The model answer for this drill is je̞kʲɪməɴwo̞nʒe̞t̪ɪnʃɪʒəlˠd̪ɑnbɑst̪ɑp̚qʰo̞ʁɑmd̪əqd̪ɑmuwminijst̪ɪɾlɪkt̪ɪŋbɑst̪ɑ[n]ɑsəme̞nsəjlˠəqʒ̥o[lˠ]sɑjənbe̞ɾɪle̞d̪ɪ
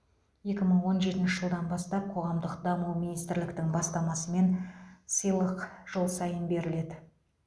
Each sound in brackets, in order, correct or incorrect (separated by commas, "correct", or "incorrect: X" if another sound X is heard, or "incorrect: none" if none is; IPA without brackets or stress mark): incorrect: m, correct